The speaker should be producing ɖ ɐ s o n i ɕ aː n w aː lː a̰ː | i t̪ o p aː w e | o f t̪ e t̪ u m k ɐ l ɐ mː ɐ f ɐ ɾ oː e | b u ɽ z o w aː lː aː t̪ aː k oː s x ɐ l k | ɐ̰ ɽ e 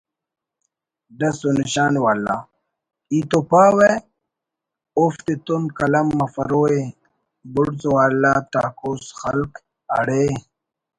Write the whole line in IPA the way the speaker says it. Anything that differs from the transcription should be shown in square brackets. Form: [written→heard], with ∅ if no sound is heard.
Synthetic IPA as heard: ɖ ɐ s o n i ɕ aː n w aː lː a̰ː | i t̪ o p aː w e | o f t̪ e t̪ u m k ɐ l ɐ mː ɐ f ɐ ɾ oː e | b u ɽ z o w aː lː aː t̪ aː k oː s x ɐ l k | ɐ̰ ɽ e